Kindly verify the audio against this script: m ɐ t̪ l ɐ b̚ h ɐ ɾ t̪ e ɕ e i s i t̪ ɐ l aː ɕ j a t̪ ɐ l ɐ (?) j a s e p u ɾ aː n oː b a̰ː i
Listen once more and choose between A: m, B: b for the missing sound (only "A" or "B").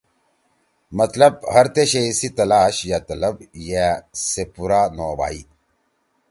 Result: B